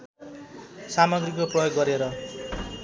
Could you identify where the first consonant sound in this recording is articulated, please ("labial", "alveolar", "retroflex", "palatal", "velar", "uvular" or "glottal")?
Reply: alveolar